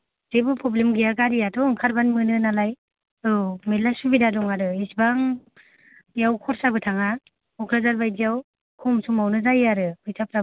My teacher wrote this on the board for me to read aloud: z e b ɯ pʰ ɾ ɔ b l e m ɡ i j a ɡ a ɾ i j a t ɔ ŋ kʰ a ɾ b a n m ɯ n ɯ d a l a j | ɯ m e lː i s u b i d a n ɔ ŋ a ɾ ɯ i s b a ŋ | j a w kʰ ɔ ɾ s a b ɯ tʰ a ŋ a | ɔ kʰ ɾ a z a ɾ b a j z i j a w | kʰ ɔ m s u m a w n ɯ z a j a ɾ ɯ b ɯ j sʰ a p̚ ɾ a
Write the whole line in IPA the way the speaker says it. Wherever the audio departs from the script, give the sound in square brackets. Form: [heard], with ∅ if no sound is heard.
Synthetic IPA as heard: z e b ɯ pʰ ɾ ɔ b l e m ɡ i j a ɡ a ɾ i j a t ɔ ŋ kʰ a ɾ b a n m ɯ n ɯ [n] a l a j | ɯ m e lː [a] s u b i d a [d] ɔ ŋ a ɾ ɯ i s b a ŋ | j a w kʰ ɔ ɾ s a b ɯ tʰ a ŋ a | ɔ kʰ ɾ a z a ɾ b a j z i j a w | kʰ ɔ m s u m a w n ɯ z a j a ɾ ɯ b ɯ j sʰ a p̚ ɾ a